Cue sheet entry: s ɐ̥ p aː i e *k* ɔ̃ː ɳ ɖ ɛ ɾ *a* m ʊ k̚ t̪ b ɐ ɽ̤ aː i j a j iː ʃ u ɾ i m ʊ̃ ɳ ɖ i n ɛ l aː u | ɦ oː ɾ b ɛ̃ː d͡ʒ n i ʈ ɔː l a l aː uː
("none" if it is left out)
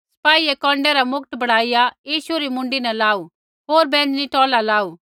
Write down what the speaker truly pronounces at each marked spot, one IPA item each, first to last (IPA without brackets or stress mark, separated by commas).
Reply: k, a